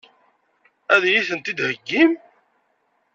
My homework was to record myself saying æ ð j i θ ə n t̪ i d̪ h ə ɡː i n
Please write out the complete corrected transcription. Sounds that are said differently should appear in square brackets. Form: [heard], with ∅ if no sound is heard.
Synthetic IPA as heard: æ ð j i θ ə n t̪ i d̪ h ə ɡː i [m]